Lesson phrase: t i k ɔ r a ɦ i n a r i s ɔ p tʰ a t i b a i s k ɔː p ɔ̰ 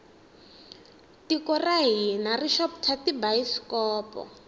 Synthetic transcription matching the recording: t i k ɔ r a ɦ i n a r i ʃ ɔ p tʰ a t i b a i s k ɔː p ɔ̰